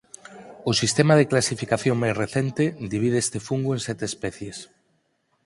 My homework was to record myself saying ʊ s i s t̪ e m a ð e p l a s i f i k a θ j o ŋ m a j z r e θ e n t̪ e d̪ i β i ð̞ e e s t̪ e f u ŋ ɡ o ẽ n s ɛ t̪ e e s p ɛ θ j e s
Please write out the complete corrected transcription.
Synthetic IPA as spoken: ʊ s i s t̪ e m a ð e k l a s i f i k a θ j o ŋ m a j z r e θ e n t̪ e d̪ i β i ð̞ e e s t̪ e f u ŋ ɡ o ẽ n s ɛ t̪ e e s p ɛ θ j e s